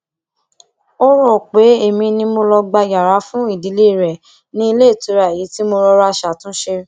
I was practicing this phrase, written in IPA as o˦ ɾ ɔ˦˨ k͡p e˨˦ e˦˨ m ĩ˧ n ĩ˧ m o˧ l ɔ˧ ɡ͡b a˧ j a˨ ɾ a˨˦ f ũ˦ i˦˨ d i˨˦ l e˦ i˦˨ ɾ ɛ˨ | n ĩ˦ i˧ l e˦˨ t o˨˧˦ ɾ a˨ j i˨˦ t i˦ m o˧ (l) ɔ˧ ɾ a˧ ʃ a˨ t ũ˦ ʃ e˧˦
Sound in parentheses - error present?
yes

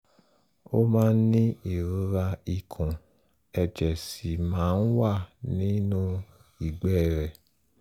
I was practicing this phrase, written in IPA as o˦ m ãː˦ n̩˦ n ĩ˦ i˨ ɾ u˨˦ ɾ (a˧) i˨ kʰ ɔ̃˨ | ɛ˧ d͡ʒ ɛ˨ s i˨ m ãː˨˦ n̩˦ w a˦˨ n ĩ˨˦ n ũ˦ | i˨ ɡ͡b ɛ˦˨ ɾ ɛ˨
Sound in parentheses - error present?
no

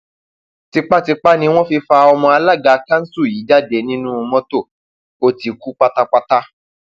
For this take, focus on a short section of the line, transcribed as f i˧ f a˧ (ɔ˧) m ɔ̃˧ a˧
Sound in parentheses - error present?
no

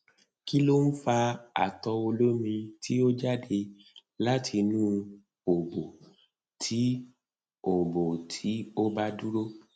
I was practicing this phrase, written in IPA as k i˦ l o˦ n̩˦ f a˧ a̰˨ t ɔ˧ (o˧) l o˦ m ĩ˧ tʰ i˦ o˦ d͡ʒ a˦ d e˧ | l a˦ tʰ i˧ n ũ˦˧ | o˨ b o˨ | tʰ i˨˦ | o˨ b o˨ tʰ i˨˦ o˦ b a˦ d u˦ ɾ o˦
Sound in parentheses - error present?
no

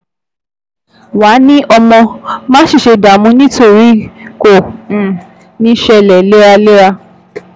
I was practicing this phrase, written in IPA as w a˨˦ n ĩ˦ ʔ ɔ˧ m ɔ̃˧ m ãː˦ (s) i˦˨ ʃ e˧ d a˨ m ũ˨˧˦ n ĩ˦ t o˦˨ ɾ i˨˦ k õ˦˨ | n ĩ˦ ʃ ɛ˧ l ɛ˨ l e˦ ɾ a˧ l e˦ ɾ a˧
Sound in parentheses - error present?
yes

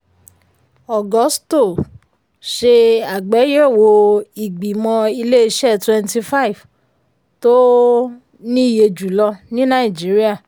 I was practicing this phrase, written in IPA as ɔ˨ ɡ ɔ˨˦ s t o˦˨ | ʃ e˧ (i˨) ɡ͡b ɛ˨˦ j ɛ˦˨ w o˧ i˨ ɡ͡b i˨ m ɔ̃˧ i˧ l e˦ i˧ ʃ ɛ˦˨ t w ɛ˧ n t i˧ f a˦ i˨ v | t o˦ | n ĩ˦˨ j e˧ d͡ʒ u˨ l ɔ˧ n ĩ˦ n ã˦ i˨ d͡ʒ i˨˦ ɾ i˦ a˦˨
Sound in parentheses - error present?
yes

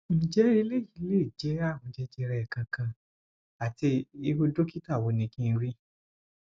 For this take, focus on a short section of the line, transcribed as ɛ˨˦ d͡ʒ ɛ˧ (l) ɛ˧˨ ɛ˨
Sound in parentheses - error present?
yes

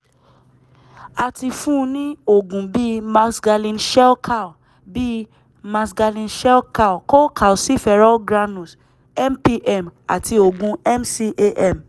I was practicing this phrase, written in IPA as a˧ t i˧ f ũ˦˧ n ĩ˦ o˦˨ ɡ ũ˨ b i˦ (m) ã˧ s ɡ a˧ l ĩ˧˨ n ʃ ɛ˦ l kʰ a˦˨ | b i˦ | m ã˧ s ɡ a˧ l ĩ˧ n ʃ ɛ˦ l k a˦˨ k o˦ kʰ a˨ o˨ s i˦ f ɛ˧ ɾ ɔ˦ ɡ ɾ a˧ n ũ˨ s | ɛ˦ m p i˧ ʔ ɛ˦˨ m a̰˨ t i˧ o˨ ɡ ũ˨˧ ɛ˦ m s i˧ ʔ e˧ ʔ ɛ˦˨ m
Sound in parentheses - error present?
no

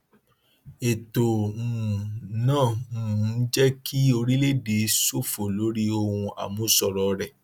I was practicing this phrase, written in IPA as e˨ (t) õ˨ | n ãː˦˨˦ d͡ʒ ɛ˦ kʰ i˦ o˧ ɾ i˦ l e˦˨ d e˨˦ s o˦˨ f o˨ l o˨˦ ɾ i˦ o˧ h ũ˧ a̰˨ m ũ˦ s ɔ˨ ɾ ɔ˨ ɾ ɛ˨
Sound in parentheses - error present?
no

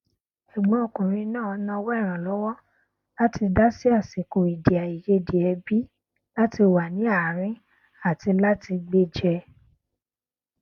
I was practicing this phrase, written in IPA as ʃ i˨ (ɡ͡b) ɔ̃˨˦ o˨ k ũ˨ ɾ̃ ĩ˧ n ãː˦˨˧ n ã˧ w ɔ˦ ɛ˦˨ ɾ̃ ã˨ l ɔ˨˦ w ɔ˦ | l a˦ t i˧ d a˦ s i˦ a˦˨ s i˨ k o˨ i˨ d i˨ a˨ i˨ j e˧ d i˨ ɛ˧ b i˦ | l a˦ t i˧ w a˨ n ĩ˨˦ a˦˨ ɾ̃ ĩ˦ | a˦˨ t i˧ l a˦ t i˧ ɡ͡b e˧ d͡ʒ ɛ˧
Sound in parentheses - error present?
no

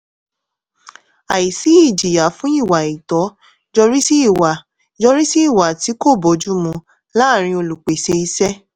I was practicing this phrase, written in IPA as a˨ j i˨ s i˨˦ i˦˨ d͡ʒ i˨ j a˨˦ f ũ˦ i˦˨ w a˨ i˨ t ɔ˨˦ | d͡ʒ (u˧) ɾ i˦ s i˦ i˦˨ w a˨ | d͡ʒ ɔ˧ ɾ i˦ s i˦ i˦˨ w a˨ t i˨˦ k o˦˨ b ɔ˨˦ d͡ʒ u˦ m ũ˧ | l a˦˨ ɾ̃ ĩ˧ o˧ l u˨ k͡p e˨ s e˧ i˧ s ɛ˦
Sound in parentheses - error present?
yes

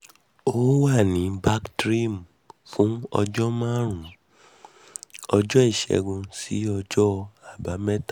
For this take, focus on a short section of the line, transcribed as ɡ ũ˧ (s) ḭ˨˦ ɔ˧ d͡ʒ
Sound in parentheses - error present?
no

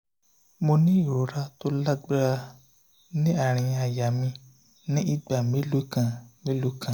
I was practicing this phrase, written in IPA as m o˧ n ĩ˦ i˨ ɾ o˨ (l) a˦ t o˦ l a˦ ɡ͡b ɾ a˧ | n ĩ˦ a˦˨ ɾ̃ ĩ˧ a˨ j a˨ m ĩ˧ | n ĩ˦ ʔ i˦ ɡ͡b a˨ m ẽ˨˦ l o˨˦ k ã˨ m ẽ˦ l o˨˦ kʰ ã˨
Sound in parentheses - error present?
yes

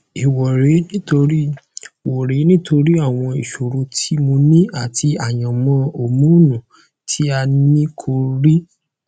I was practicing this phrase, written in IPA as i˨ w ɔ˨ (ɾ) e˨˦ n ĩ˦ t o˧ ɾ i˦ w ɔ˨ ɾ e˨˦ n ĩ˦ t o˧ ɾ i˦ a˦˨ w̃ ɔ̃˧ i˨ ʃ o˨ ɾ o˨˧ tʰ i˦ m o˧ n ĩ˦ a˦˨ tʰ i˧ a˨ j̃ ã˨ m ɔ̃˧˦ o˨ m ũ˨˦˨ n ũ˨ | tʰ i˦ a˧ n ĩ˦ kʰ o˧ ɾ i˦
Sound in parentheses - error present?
no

